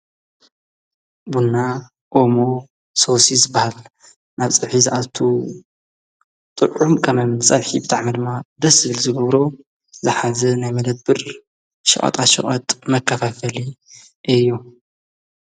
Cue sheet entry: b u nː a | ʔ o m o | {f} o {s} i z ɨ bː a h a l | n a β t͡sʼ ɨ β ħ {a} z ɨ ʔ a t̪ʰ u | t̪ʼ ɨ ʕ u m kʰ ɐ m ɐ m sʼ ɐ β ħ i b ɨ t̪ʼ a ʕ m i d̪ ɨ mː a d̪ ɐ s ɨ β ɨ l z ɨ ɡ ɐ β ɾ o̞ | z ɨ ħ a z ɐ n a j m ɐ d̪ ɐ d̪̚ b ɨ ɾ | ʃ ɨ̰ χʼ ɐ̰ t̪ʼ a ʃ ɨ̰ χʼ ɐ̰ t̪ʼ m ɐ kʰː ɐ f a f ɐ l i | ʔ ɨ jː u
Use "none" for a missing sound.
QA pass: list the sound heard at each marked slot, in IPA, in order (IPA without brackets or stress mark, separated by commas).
s, s, i